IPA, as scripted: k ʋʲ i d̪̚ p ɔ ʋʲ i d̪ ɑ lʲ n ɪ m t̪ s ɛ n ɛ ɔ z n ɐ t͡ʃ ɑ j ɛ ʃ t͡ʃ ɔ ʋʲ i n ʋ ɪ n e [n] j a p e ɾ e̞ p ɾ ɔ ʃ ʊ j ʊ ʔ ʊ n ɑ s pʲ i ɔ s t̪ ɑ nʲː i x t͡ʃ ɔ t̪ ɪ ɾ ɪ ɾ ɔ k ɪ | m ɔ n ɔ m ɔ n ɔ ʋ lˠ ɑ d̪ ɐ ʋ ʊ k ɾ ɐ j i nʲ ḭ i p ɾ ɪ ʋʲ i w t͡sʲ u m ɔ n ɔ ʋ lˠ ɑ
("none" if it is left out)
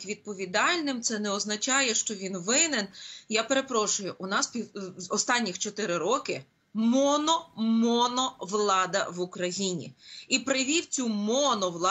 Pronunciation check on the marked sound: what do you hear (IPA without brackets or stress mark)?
n